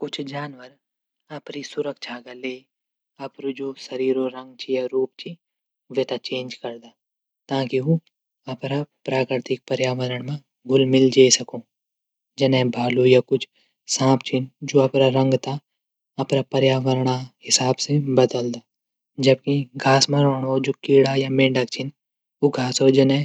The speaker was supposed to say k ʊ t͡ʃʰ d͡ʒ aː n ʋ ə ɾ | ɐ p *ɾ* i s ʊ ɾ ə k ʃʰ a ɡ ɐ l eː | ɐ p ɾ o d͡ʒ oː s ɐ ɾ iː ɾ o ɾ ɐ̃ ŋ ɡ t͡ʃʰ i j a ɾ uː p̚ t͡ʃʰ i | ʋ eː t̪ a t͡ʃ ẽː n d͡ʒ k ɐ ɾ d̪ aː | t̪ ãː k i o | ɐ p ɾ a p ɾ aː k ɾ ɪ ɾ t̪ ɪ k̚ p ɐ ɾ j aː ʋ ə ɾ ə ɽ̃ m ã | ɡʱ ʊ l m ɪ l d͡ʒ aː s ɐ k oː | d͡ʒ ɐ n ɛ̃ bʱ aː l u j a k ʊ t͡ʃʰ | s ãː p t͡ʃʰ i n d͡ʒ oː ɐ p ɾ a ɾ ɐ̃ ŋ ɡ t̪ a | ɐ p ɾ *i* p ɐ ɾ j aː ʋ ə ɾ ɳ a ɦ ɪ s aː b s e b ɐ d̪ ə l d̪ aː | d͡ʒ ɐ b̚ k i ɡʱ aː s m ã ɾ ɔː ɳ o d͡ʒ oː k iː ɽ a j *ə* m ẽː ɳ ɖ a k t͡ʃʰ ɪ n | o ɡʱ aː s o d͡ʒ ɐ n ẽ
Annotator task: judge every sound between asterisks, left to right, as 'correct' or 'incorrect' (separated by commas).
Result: correct, incorrect, incorrect